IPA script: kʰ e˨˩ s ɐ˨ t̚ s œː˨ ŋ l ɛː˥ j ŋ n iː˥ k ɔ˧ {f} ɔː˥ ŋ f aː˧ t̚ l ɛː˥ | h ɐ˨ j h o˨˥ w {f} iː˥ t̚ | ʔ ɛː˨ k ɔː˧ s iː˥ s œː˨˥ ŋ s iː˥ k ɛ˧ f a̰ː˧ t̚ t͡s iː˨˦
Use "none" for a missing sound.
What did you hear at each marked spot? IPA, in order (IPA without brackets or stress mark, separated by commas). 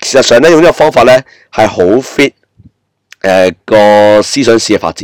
f, f